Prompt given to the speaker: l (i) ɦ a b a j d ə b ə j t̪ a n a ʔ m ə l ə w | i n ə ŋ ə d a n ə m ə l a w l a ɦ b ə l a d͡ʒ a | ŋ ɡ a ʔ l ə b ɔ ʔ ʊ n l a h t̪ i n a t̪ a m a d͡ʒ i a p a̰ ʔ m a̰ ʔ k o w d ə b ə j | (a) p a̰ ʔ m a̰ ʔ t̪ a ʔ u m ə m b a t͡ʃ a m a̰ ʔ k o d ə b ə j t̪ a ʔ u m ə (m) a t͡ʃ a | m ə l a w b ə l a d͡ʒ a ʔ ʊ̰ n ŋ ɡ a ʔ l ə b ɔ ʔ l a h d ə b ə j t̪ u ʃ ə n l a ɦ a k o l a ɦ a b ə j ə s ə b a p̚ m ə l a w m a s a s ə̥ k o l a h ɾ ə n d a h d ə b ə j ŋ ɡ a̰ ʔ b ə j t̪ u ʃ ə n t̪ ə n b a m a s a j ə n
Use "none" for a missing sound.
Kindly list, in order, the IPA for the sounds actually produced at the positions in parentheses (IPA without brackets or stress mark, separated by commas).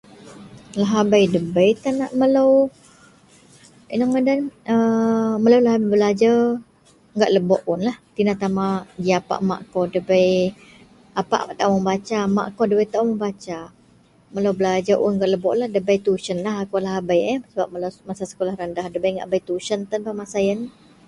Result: a, a, b